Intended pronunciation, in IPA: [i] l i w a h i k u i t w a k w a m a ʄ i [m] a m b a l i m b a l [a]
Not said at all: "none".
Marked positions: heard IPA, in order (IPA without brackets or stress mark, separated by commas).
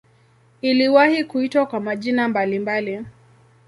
i, n, i